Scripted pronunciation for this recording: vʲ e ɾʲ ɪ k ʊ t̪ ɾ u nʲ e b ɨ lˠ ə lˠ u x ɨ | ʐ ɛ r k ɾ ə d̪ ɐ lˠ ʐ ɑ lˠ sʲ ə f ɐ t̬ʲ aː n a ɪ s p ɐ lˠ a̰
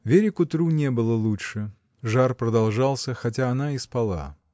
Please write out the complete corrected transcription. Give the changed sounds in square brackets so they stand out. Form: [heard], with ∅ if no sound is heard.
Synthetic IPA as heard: vʲ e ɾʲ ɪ k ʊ t̪ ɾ u nʲ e b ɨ lˠ ə lˠ u [ʂ] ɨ | ʐ [a] r [p] ɾ ə d̪ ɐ lˠ ʐ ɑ lˠ sʲ ə [x] ɐ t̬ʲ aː n a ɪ s p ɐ lˠ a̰